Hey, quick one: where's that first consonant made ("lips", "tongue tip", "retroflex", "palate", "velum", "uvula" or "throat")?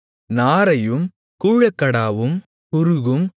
tongue tip